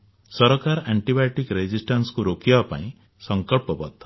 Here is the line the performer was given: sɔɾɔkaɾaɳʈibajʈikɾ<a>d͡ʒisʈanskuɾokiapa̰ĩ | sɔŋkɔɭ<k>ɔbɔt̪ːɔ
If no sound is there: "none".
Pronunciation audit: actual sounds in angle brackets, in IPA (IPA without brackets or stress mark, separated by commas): e, p